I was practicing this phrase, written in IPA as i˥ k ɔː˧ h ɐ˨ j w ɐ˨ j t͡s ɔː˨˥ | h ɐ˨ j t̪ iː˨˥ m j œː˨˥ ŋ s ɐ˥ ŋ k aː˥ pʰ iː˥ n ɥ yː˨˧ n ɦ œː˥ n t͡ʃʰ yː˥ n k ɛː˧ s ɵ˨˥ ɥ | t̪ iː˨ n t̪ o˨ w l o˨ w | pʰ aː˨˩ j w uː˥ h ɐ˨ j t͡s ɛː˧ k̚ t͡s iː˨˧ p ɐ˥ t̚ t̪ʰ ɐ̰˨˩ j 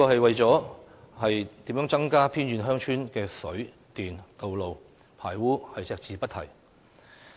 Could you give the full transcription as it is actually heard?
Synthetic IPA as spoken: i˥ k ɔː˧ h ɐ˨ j w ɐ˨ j t͡s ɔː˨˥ | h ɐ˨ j t̪ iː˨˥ m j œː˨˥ ŋ t͡s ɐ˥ ŋ k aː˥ pʰ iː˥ n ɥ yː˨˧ n ɦ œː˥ ŋ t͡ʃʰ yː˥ n k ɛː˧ s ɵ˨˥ ɥ | t̪ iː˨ n t̪ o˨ w l o˨ w | pʰ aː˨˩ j w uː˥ h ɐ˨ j t͡s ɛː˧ k̚ t͡s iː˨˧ p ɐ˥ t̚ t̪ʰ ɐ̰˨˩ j